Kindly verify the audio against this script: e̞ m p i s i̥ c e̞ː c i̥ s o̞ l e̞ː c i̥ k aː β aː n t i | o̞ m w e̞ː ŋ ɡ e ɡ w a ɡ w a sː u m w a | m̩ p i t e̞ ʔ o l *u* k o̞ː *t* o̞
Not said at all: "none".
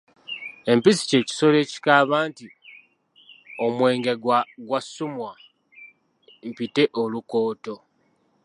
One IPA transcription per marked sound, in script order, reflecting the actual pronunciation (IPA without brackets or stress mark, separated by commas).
u, t